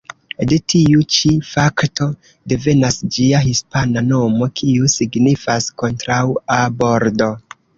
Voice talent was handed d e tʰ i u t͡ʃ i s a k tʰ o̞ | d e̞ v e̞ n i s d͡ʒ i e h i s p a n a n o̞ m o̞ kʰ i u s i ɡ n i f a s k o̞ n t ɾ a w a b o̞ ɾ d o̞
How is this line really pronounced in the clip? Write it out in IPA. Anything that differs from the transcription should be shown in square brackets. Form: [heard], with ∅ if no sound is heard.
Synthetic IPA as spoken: d e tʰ i u t͡ʃ i [f] a k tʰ o̞ | d e̞ v e̞ n [a] s d͡ʒ i [a] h i s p a n a n o̞ m o̞ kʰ i u s i ɡ n i f a s k o̞ n t ɾ a w a b o̞ ɾ d o̞